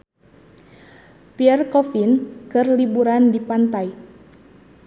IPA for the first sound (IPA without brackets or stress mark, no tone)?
p